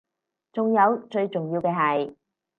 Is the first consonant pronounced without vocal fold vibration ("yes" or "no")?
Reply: yes